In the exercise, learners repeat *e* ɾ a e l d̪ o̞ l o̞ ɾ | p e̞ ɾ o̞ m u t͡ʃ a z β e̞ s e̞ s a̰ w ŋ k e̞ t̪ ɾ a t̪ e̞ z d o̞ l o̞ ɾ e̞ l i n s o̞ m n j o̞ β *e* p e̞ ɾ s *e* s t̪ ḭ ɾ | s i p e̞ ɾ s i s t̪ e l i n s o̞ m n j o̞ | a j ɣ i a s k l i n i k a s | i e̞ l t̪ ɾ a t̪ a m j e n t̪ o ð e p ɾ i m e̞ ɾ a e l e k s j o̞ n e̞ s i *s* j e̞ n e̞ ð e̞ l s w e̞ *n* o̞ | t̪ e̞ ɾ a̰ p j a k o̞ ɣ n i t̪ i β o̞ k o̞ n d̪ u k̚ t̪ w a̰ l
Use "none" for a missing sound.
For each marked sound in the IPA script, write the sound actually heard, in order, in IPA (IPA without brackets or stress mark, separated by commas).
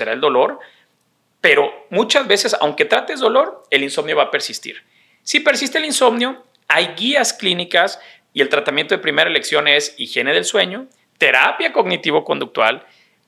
e, a, i, x, ɲ